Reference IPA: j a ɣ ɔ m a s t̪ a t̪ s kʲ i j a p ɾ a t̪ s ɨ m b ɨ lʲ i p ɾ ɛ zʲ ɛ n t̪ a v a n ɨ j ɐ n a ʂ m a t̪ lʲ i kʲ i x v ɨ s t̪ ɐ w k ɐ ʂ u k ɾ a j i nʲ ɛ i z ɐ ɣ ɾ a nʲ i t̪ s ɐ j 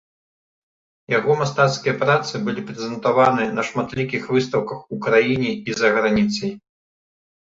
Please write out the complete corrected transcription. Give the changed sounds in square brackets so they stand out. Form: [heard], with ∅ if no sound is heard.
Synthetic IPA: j a ɣ ɔ m a s t̪ a t̪ s kʲ i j [ɐ] p ɾ a t̪ s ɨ [∅] b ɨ lʲ i p ɾ ɛ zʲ ɛ n t̪ a v a n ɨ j ɐ n [ɐ] ʂ m a t̪ lʲ i kʲ i x v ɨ s t̪ ɐ w k ɐ [x] u k ɾ a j i nʲ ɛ i z ɐ ɣ ɾ a nʲ i t̪ s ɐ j